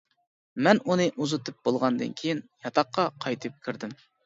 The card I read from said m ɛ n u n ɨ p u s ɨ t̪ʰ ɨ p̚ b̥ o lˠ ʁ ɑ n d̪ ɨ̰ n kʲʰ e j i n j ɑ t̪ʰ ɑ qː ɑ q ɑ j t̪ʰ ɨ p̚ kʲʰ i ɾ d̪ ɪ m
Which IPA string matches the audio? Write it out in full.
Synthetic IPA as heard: m ɛ n u n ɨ ʔ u z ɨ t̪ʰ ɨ p̚ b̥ o lˠ ʁ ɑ n d̪ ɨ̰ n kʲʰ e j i n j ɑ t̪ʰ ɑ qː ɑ qʰ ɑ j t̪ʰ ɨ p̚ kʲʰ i ɾ d̪ ɪ m